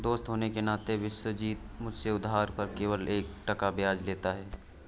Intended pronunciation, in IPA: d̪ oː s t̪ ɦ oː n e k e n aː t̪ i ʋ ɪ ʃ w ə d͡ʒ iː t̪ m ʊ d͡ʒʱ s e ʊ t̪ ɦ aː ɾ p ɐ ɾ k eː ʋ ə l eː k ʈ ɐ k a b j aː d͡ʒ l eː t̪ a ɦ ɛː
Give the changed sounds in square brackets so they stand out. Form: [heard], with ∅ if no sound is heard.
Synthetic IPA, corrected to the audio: d̪ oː s t̪ ɦ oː n e k e n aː t̪ [e] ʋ ɪ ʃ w ə d͡ʒ iː t̪ m ʊ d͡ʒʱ s e ʊ [d̪] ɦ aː ɾ p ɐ ɾ k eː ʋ ə l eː k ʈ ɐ k a b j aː d͡ʒ l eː t̪ a ɦ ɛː